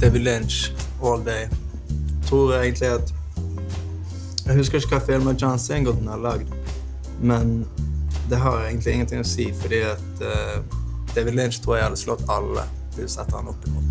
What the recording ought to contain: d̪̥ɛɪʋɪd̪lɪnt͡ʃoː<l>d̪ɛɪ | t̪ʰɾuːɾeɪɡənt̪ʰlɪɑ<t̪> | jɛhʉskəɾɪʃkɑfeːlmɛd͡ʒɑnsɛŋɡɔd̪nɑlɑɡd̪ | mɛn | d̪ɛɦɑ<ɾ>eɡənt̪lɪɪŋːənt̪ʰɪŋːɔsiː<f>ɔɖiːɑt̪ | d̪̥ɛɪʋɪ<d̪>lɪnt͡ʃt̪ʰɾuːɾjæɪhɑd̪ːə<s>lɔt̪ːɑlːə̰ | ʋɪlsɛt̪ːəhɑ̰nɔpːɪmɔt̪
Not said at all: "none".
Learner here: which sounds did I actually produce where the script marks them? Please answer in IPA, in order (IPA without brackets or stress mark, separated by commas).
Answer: l, t̪, ɾ, f, d̪, s